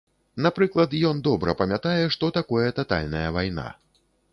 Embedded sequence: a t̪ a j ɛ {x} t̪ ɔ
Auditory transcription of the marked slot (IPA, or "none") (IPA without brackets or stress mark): ʂ